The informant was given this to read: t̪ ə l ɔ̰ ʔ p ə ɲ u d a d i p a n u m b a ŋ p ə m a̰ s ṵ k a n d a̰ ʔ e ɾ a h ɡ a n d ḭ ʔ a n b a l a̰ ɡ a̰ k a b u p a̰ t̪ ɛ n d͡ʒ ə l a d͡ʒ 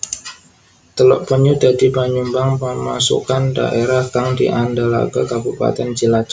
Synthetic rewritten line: t̪ ə l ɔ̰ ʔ p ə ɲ u d a d i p a ɲ u m b a ŋ p ə m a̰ s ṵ k a n d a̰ ʔ e ɾ a h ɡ a ŋ d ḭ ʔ a n d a l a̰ ɡ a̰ k a b u p a̰ t̪ ɛ n d͡ʒ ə l a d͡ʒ

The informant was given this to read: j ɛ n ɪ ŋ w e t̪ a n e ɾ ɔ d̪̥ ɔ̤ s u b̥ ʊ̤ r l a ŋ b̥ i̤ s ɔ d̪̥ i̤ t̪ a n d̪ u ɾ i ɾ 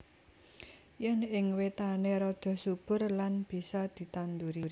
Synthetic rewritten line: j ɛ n ɪ ŋ w e t̪ a n e ɾ ɔ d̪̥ ɔ̤ s u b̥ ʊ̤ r l a n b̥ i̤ s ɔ d̪̥ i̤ t̪ a n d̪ u ɾ i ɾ

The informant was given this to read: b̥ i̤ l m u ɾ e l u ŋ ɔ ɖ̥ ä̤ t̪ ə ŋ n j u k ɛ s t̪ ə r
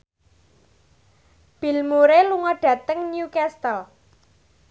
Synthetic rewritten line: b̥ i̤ l m u ɾ e l u ŋ ɔ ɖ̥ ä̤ t̪ ə ŋ n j u k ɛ s t̪ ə l

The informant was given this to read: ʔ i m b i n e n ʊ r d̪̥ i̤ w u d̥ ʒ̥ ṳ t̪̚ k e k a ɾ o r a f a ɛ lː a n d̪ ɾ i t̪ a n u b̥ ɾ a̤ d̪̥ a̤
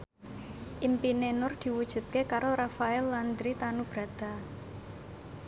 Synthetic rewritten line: ʔ i m p i n e n ʊ r d̪̥ i̤ w u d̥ ʒ̥ ṳ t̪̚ k e k a ɾ o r a f a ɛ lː a n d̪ ɾ i t̪ a n u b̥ ɾ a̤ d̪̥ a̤

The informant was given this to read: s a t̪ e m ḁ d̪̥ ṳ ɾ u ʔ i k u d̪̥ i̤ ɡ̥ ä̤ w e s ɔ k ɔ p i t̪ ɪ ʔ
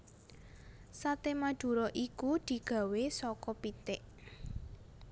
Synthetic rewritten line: s a t̪ e m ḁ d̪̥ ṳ ɾ ɔ ʔ i k u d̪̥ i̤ ɡ̥ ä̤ w e s ɔ k ɔ p i t̪ ɪ ʔ

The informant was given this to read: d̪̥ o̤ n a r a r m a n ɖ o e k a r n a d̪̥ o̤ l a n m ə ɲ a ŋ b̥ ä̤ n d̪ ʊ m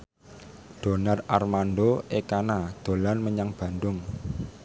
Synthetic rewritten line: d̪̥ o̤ n a r a r m a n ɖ o e k a n a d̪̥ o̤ l a n m ə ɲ a ŋ b̥ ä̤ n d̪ ʊ ŋ

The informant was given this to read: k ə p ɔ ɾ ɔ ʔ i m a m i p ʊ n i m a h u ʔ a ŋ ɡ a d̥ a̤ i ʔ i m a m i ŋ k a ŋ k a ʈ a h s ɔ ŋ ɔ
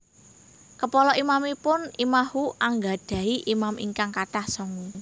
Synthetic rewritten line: k ə p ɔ l ɔ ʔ i m a m i p ʊ n i m a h u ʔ a ŋ ɡ a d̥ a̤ i ʔ i m a m i ŋ k a ŋ k a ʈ a h s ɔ ŋ u

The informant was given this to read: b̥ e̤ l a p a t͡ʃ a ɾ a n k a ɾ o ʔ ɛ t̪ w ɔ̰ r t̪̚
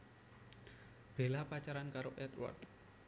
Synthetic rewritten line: b̥ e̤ l a p a t͡ʃ a ɾ a n k a ɾ o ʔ ɛ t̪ w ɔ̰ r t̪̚

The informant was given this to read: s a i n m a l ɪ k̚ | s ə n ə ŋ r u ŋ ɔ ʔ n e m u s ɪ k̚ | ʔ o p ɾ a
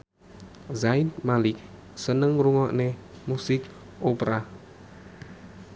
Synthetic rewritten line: z a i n m a l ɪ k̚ | s ə n ə ŋ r u ŋ ɔ ʔ n e m u s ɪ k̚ | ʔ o p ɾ a

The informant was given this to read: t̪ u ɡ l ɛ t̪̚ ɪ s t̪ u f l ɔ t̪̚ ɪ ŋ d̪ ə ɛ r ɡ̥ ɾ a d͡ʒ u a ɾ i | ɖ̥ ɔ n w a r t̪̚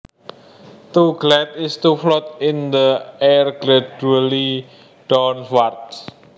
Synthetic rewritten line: t̪ u ɡ l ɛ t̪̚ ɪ s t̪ u f l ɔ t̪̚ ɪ n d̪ ə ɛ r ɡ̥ ɾ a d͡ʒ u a l i | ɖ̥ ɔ n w a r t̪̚

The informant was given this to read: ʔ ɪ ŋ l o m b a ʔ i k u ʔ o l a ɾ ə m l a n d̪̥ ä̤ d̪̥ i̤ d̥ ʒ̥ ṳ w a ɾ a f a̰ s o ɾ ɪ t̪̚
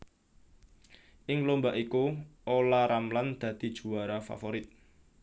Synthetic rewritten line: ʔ ɪ ŋ l o m b a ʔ i k u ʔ o l a ɾ a m l a n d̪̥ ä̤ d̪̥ i̤ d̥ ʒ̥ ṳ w a ɾ a f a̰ f o ɾ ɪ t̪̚

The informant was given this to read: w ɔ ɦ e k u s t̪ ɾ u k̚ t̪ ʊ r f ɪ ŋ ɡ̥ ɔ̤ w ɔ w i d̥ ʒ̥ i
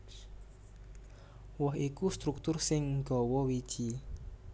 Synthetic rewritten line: w ɔ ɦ i k u s t̪ ɾ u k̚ t̪ ʊ r s ɪ ŋ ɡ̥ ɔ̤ w ɔ w i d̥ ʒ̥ i

